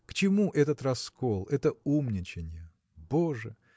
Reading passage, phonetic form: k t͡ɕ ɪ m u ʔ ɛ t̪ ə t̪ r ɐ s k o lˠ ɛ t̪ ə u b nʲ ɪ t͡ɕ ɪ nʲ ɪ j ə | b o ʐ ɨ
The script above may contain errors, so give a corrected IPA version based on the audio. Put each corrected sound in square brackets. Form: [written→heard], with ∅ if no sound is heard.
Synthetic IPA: k t͡ɕ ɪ m u ʔ ɛ t̪ ə t̪ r ɐ s k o lˠ ɛ t̪ ə u [b→m] nʲ ɪ t͡ɕ ɪ nʲ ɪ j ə | b o ʐ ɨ